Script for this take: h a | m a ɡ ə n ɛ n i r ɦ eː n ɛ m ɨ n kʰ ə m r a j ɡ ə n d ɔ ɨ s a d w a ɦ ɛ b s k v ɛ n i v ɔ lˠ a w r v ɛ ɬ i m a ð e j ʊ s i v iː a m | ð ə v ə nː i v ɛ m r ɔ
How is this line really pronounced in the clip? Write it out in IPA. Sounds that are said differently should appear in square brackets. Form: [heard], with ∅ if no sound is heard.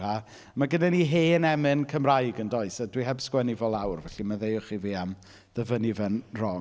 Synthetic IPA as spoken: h a | m a ɡ ə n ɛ n i [∅] ɦ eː n ɛ m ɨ n kʰ ə m r a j ɡ ə n d ɔ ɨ s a d w [i] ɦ ɛ b s k [w] ɛ n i v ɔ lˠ a w r v ɛ ɬ i m a ð e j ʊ [χ] i v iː a m | ð ə v ə [n] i v ɛ [n] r ɔ